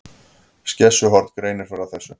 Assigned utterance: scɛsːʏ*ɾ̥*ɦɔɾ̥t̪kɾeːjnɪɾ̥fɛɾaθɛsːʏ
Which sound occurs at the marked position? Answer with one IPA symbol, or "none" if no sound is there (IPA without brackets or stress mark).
none